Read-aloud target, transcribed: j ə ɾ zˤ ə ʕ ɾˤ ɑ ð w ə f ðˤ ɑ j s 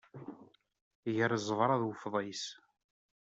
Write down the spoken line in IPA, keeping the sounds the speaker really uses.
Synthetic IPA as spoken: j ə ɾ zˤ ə v ɾˤ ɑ ð w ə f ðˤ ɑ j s